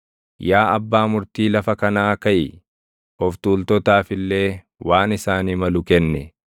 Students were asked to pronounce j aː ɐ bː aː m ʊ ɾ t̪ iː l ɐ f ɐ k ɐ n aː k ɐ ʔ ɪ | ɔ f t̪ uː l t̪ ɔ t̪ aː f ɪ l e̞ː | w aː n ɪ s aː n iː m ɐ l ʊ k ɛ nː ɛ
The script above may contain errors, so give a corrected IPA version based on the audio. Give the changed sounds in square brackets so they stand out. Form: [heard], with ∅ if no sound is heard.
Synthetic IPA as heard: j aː ɐ bː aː m ʊ ɾ t̪ iː l ɐ f ɐ k ɐ n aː k ɐ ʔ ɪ | ɔ f t̪ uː l t̪ ɔ t̪ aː f ɪ [lː] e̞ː | w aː n ɪ s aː n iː m ɐ l ʊ k ɛ nː ɛ